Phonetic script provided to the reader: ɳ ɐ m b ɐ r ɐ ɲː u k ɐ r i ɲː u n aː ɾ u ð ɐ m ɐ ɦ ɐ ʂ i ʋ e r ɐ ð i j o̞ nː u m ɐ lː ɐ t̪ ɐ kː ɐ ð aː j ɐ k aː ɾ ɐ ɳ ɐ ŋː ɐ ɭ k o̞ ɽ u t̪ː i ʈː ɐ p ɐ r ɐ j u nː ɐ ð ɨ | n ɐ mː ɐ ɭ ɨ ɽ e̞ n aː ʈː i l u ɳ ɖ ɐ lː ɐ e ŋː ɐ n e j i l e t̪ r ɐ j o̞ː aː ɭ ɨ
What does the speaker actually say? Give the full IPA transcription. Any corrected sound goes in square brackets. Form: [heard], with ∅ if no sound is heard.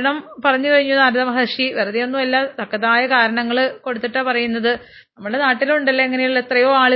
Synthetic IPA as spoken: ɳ ɐ m [p] ɐ r ɐ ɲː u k ɐ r i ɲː u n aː ɾ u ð ɐ m ɐ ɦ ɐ ʂ i ʋ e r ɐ ð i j o̞ nː u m ɐ lː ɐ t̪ ɐ kː ɐ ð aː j ɐ k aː ɾ ɐ ɳ ɐ ŋː ɐ ɭ k o̞ ɽ u t̪ː i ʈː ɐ p ɐ r ɐ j u nː ɐ ð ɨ | n ɐ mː ɐ ɭ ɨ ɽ e̞ n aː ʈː i l u ɳ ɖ ɐ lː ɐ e ŋː ɐ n e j i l e t̪ r ɐ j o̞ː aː ɭ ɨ